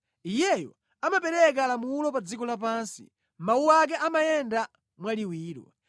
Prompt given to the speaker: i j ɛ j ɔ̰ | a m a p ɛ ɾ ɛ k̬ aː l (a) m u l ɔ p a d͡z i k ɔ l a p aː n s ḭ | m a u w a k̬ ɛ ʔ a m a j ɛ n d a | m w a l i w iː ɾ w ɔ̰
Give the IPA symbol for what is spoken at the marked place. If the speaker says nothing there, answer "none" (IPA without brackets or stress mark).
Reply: a